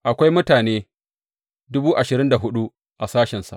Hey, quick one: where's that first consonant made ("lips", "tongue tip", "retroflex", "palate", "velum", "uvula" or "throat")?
throat